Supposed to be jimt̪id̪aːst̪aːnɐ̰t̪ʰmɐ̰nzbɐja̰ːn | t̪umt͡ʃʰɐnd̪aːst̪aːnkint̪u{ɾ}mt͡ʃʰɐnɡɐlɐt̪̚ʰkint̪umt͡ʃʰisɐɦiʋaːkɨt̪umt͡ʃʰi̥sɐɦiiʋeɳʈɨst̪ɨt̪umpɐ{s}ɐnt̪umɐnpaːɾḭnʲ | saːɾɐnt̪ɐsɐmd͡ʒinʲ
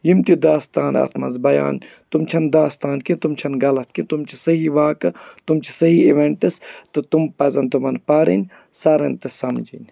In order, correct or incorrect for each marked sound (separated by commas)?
incorrect, incorrect